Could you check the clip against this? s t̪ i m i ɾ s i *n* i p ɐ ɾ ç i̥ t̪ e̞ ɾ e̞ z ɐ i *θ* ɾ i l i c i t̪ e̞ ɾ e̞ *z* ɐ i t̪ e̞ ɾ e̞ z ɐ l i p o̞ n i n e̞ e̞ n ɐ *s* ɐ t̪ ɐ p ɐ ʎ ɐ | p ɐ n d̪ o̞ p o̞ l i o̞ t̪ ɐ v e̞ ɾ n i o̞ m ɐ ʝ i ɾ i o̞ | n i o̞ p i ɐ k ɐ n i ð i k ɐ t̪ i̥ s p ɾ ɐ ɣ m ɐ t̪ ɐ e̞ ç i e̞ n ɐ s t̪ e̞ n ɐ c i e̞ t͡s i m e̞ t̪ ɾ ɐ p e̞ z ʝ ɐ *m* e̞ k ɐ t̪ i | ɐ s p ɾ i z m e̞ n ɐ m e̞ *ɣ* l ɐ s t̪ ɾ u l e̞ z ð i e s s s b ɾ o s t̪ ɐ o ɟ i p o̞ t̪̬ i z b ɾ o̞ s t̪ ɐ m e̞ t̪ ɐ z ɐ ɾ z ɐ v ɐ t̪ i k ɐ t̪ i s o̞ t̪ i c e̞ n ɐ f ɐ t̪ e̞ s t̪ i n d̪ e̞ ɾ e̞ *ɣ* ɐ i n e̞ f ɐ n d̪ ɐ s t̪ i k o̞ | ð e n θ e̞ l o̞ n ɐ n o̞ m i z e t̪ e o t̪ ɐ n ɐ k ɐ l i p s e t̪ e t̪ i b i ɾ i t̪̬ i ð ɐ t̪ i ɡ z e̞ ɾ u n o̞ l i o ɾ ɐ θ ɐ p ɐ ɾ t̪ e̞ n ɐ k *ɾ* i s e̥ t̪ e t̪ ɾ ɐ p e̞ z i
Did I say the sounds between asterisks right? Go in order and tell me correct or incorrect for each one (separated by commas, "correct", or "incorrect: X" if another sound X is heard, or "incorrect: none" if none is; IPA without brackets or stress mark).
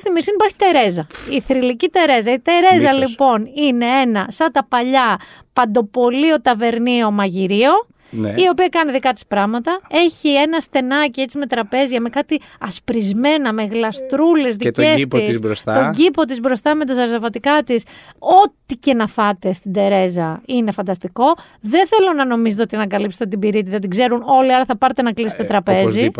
correct, correct, correct, correct, correct, correct, incorrect: z, incorrect: l